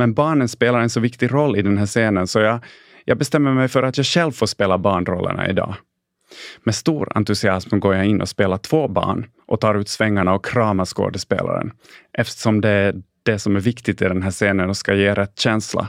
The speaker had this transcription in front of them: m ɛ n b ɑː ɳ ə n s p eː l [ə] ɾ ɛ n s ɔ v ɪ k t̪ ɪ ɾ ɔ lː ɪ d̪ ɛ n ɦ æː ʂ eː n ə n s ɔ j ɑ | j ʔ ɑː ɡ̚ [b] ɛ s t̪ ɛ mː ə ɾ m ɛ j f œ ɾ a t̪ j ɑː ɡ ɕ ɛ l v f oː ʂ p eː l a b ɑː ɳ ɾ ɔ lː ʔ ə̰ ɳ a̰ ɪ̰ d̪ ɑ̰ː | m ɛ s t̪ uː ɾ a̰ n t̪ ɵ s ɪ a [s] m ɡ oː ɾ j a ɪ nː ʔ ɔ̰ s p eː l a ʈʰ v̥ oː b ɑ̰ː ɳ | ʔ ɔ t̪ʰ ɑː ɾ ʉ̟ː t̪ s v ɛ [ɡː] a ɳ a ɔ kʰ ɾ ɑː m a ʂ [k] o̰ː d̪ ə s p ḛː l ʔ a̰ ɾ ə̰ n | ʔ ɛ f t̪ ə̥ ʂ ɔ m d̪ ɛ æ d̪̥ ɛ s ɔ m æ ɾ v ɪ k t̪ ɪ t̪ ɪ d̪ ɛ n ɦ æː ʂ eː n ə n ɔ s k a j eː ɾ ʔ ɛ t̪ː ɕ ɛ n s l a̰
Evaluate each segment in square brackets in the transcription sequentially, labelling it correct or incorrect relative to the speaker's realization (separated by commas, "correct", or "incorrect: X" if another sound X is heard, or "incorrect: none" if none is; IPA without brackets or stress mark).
incorrect: a, correct, correct, incorrect: ŋː, correct